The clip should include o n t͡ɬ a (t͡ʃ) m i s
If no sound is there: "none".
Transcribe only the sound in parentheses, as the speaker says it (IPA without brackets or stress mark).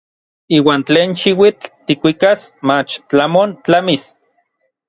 none